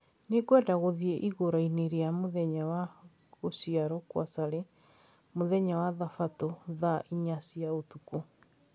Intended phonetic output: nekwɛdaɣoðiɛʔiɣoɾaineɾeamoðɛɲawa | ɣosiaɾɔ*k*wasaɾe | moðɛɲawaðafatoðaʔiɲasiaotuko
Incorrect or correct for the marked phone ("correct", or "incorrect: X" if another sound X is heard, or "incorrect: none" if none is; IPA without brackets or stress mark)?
correct